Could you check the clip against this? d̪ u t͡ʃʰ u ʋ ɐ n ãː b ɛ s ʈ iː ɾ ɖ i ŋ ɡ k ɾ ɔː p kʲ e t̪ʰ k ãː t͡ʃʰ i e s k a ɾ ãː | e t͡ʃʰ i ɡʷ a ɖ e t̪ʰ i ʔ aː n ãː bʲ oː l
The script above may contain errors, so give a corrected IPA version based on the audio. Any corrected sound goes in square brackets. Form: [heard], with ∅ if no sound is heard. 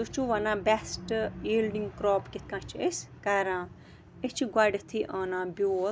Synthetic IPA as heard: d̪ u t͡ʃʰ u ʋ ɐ n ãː b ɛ s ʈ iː [l] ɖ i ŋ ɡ k ɾ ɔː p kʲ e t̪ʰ k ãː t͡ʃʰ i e s k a ɾ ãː | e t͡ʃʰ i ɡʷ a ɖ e t̪ʰ i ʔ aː n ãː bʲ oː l